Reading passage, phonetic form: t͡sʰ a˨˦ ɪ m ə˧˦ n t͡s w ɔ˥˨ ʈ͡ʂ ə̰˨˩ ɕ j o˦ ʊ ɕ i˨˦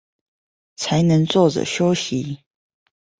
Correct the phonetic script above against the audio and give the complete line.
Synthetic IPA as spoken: t͡sʰ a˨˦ ɪ n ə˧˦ ŋ t͡s w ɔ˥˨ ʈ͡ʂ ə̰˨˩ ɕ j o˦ ʊ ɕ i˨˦